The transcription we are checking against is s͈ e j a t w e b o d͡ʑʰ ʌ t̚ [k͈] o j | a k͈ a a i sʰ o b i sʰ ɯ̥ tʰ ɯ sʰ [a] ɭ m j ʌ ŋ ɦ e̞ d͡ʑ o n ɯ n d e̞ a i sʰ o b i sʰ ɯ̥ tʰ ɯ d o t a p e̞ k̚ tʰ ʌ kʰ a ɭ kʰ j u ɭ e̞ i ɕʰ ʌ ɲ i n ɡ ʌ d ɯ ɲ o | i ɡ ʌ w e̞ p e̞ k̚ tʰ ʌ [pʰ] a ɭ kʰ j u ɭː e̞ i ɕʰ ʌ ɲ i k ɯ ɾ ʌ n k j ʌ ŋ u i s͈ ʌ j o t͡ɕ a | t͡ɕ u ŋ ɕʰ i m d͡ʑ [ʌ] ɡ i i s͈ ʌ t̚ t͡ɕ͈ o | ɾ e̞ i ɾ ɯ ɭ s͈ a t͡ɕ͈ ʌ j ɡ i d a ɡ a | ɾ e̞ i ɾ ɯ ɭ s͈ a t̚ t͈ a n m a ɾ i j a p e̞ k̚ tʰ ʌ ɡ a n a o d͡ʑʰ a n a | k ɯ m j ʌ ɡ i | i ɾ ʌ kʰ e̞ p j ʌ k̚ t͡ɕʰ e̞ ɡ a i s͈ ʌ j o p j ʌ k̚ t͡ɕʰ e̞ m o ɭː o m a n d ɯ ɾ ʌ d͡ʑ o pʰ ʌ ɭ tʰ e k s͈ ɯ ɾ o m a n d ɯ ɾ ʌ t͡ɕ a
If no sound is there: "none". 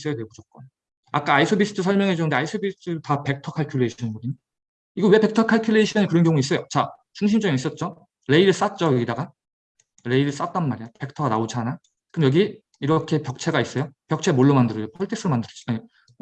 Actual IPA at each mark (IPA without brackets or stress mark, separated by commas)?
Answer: k͈, ʌ, kʰ, ʌ